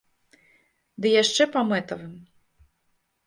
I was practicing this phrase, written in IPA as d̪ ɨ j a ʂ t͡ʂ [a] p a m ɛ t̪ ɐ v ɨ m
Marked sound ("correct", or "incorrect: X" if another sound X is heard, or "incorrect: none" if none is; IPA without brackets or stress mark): incorrect: ɛ